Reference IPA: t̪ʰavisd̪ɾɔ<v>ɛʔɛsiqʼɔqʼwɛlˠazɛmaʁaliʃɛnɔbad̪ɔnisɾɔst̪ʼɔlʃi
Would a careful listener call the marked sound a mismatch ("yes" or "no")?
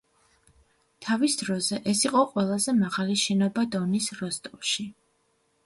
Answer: yes